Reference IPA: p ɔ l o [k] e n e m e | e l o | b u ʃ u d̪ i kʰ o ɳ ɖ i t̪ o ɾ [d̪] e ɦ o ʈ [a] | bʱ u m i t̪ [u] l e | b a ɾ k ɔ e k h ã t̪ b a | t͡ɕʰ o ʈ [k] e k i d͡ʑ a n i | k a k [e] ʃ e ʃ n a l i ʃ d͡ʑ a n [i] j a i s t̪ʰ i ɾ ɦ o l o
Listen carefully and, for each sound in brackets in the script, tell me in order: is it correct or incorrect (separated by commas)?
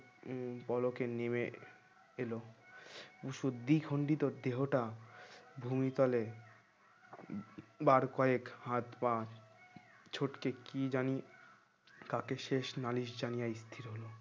correct, correct, correct, incorrect, correct, correct, correct